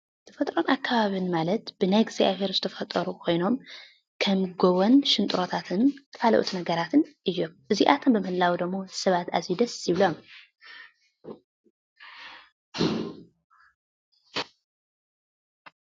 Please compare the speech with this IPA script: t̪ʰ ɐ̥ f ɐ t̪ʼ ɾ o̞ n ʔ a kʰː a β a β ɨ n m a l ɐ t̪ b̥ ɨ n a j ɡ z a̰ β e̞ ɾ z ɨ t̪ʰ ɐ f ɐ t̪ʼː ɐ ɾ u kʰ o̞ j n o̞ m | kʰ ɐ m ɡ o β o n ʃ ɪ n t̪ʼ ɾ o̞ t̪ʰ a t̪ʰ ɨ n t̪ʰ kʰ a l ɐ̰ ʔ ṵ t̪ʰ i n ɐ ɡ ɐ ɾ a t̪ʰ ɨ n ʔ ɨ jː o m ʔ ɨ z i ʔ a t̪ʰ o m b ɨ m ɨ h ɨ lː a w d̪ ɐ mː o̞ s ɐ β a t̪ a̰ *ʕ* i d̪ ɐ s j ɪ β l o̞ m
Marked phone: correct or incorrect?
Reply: incorrect